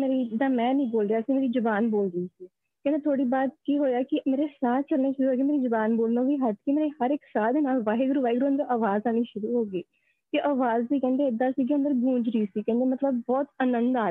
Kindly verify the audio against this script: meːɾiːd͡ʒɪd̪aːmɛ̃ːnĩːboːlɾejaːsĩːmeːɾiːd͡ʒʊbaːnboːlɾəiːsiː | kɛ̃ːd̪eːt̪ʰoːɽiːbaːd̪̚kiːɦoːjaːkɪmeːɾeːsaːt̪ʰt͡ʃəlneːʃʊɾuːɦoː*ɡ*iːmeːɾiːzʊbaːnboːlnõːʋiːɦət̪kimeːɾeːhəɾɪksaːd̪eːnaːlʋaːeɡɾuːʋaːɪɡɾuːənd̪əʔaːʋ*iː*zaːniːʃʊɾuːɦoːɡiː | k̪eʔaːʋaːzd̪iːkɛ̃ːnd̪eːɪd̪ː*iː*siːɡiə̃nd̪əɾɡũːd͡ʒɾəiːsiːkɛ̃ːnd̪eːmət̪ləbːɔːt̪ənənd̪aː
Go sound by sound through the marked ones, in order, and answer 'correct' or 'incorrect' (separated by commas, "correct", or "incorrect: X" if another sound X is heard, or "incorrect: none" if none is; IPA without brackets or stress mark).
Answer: correct, incorrect: aː, incorrect: aː